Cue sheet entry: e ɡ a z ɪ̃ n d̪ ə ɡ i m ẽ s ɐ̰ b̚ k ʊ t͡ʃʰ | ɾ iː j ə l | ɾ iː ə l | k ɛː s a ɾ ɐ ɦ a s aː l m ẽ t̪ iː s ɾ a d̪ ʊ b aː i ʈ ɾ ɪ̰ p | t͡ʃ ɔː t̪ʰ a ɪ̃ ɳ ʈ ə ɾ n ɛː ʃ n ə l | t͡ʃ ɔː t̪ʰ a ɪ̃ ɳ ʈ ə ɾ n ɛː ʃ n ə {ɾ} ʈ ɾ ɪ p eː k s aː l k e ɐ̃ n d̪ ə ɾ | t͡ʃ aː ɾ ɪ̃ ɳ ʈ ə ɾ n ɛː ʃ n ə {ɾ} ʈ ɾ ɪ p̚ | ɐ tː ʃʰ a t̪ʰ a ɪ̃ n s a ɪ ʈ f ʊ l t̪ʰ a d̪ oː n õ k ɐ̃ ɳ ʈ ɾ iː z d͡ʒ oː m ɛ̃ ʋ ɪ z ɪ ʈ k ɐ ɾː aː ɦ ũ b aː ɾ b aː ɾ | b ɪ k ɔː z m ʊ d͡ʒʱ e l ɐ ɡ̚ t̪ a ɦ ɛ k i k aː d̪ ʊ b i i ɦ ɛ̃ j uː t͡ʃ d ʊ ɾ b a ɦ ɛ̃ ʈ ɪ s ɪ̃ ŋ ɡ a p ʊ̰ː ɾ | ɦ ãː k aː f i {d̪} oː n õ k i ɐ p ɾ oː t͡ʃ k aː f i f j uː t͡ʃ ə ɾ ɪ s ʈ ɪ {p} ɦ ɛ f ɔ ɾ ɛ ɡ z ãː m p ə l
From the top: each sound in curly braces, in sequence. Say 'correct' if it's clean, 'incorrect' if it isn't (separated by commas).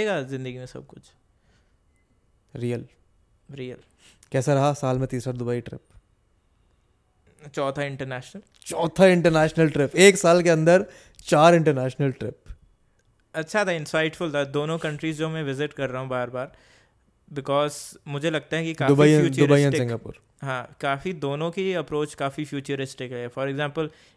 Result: incorrect, incorrect, correct, incorrect